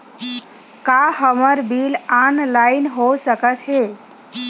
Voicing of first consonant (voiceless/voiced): voiceless